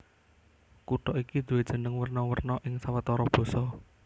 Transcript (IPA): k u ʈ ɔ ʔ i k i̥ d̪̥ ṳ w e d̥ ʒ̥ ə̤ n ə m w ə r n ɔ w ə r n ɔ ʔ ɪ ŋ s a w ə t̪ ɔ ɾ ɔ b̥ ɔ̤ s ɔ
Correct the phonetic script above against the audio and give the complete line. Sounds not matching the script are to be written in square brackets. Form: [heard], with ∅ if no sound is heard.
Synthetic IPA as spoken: k u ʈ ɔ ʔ i k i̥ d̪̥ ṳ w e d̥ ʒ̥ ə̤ n ə [ŋ] w ə r n ɔ w ə r n ɔ ʔ ɪ ŋ s a w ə t̪ ɔ ɾ ɔ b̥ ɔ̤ s ɔ